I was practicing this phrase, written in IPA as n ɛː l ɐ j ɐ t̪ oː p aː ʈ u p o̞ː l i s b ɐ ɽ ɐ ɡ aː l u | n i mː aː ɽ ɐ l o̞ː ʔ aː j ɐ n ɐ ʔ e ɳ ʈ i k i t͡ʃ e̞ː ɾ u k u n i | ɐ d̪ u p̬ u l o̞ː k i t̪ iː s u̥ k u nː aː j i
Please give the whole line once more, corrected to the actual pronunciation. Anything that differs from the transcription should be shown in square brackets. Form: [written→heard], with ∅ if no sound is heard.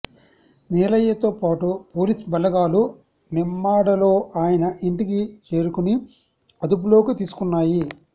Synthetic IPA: n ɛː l ɐ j ɐ t̪ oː p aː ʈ u p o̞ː l i s b ɐ [ɽ→l] ɐ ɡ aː l u | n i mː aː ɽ ɐ l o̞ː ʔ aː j ɐ n ɐ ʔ [e→i] ɳ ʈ i k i t͡ʃ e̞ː ɾ u k u n i | ɐ d̪ u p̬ u l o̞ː k i t̪ iː s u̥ k u nː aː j i